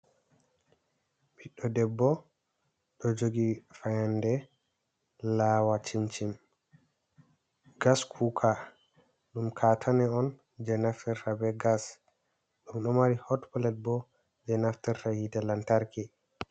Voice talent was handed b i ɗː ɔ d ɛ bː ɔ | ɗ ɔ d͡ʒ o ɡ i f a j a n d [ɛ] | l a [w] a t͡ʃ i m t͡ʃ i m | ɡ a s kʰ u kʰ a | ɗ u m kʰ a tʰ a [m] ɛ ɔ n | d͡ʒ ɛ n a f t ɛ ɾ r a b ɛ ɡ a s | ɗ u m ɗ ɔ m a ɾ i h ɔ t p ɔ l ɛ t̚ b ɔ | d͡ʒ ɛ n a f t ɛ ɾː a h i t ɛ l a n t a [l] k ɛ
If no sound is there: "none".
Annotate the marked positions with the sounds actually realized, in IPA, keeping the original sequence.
ɛ, w, n, ɾ

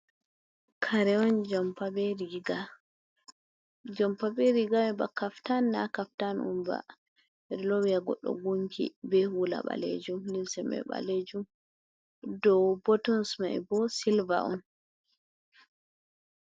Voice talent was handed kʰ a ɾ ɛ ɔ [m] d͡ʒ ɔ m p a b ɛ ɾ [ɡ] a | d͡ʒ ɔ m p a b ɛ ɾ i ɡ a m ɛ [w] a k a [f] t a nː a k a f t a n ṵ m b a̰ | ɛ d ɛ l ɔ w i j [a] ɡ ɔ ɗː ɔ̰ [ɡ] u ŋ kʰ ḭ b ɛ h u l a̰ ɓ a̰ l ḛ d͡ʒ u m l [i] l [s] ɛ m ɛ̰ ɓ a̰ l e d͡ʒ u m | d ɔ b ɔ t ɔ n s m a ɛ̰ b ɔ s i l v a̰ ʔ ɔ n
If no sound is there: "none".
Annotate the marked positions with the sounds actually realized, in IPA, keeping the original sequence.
n, ɡ, b, f, a, ɡ, i, s

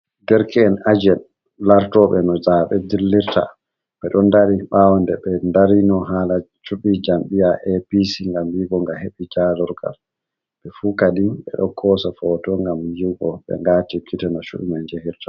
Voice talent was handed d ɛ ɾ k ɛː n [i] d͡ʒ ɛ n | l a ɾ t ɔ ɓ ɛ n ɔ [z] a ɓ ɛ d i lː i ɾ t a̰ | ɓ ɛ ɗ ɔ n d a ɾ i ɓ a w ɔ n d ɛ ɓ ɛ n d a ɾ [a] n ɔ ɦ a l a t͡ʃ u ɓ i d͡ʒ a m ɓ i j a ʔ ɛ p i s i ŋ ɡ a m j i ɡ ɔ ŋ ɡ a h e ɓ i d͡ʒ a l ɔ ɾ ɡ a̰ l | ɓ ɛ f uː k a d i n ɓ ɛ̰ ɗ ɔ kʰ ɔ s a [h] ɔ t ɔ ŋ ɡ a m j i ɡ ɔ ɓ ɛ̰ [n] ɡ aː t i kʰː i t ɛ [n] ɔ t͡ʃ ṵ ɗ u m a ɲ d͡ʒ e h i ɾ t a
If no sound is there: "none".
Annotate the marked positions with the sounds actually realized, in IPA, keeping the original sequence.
a, z, i, f, ŋ, n

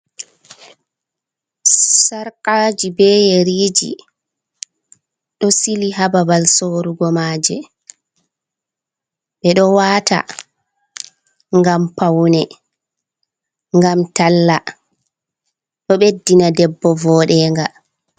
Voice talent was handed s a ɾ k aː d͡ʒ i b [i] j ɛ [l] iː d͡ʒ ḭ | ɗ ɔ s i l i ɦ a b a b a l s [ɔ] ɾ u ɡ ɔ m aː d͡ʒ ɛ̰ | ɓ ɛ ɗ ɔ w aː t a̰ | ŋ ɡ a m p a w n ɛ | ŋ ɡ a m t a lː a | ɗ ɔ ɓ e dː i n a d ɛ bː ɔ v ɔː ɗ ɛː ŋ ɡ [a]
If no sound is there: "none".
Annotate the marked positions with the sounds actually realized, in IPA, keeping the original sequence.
ɛ, ɾ, o, a

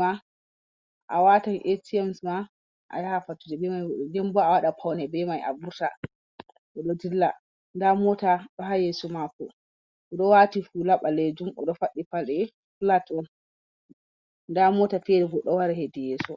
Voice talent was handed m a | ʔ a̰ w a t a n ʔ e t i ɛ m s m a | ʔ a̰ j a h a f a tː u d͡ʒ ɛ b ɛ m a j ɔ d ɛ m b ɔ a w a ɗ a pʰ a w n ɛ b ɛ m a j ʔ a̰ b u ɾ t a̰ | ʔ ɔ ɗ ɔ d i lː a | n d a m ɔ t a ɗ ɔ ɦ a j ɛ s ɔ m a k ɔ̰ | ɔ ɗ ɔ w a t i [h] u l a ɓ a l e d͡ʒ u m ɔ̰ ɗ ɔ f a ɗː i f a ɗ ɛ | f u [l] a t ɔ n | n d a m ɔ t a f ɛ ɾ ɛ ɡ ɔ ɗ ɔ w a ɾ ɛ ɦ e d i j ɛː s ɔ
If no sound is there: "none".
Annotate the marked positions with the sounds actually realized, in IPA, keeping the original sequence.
f, l

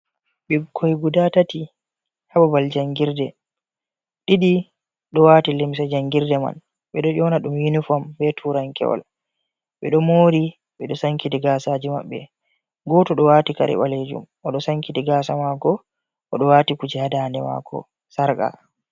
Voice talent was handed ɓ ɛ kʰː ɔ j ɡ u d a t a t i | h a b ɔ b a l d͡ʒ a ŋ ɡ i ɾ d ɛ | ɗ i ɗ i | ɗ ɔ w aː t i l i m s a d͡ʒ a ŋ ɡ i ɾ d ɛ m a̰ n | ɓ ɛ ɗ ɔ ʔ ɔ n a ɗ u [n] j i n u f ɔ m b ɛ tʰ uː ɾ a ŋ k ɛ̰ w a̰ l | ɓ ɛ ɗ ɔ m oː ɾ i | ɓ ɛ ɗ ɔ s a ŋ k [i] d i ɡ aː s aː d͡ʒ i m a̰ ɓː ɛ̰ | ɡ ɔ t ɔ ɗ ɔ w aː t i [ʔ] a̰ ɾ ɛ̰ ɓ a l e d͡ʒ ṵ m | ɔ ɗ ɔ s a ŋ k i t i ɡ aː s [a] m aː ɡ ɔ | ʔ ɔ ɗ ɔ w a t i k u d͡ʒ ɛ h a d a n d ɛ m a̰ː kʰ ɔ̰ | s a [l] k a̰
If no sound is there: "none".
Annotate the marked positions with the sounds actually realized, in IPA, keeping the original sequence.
m, i, k, a, ɾ

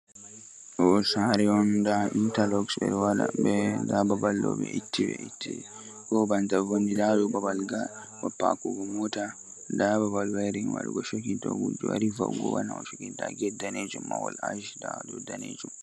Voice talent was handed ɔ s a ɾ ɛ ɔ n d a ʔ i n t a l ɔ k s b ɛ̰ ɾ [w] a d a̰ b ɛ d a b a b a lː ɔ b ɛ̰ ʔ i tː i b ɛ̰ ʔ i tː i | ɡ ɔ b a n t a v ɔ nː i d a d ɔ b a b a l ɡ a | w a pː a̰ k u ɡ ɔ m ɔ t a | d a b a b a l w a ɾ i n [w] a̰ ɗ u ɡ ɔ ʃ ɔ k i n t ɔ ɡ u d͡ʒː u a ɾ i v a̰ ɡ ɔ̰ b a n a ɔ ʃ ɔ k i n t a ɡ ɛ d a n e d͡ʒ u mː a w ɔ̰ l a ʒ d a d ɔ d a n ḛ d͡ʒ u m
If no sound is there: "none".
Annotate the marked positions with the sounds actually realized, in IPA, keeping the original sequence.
w, w

